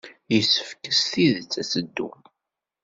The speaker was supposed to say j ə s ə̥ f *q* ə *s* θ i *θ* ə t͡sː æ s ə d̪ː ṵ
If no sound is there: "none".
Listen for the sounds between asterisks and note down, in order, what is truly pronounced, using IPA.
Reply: k, s, ð

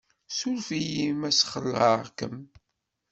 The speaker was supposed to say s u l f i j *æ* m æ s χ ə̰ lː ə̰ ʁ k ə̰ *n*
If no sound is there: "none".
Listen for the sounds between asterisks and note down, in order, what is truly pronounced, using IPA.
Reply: i, m

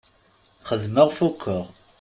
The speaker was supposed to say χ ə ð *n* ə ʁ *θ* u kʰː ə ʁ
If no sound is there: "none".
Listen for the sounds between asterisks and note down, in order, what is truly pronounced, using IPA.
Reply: m, f

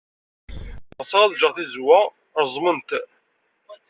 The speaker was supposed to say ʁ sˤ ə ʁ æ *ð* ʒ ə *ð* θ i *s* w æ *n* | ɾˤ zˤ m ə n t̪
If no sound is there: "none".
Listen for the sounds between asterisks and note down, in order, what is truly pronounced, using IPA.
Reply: ð, ʁ, z, none

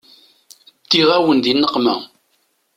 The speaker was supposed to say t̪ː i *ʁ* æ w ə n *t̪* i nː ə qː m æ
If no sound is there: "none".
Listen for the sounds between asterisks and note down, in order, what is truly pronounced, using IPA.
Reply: ʁ, d̪

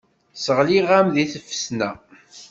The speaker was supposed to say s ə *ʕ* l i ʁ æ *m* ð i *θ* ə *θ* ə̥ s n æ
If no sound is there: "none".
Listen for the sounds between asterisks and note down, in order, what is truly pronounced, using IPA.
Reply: ʁ, m, θ, f

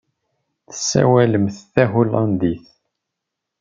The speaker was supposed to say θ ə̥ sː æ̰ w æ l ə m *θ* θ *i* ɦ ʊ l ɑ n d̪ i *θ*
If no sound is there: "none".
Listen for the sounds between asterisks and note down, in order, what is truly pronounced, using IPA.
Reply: θ, æ, θ

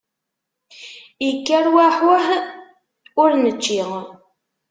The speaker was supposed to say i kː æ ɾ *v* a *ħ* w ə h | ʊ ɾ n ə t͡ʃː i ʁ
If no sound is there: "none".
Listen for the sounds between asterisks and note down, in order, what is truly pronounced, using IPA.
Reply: w, ħ

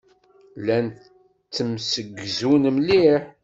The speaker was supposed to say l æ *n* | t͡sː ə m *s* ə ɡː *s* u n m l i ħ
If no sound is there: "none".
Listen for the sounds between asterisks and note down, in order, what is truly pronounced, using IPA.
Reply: n, s, z

